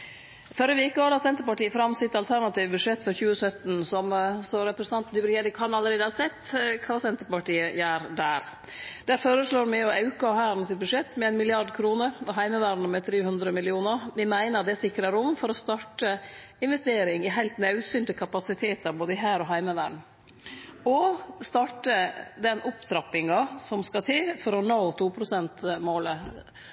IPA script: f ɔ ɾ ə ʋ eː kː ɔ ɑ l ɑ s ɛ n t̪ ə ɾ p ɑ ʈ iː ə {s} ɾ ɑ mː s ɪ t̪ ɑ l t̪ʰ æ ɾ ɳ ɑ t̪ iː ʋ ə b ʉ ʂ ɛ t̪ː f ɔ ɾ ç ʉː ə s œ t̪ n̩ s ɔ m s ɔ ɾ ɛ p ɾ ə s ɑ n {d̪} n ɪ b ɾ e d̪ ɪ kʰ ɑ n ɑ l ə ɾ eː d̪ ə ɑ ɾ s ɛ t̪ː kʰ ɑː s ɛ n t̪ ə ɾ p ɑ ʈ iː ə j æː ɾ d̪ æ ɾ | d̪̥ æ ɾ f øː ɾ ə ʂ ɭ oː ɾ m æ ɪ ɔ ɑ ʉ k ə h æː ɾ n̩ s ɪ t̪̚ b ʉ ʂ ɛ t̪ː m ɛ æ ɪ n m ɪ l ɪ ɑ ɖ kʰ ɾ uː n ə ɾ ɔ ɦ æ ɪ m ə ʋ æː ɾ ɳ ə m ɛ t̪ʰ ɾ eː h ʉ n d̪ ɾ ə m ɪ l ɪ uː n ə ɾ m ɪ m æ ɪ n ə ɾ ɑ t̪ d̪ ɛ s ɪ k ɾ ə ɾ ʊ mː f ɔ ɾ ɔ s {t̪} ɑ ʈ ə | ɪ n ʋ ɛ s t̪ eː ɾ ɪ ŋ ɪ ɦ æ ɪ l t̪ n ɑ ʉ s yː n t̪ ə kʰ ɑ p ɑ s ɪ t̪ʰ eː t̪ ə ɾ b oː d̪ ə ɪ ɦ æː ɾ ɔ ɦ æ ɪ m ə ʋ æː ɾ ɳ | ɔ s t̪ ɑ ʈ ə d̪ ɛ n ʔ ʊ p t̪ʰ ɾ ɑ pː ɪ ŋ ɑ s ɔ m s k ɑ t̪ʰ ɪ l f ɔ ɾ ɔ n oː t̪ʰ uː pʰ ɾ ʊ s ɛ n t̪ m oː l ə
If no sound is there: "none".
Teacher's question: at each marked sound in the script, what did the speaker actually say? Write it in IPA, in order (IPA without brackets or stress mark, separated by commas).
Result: f, t̪, t̪